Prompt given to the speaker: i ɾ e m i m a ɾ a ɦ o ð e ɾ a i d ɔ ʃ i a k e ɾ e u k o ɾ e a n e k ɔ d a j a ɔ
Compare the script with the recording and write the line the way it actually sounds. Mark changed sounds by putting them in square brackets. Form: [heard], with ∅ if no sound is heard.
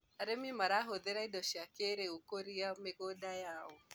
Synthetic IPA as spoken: [a] ɾ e m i m a ɾ a ɦ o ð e ɾ a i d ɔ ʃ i a k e ɾ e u k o ɾ [i] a [m] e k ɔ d a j a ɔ